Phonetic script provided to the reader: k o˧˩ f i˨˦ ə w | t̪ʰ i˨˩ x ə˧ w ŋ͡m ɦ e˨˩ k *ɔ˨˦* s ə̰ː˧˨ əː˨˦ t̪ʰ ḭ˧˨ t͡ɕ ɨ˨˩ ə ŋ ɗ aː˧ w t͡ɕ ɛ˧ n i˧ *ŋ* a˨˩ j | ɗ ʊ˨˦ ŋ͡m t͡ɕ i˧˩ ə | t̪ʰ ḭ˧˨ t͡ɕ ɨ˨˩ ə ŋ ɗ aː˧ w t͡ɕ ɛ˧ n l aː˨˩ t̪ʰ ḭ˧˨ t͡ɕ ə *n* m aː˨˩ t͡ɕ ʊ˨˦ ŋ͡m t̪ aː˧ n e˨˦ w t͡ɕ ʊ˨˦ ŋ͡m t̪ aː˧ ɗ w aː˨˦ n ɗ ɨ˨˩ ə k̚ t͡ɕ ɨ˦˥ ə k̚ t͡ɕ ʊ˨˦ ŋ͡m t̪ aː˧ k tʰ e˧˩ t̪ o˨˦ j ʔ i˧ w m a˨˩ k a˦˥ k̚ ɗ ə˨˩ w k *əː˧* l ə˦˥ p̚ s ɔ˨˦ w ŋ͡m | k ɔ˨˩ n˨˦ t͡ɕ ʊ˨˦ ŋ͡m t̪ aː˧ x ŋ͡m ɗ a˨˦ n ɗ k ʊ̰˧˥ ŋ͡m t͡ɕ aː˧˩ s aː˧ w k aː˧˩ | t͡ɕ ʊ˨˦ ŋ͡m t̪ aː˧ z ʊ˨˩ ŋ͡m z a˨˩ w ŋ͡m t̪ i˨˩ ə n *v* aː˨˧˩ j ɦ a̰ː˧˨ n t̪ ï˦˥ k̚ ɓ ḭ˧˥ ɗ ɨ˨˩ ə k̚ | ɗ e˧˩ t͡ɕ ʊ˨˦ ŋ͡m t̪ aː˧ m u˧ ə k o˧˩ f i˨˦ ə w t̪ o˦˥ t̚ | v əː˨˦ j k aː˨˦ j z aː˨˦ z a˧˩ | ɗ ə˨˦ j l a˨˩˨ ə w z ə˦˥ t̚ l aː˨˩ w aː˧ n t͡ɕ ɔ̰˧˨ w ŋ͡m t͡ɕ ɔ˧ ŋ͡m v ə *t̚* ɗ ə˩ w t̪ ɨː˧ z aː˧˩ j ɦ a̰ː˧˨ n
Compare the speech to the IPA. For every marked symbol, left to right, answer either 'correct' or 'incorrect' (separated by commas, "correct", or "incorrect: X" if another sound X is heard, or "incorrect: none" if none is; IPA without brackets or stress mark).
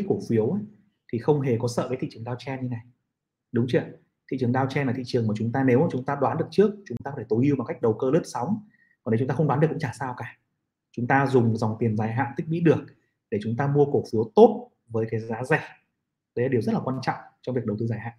correct, incorrect: n, incorrect: ŋ, correct, incorrect: z, incorrect: k̚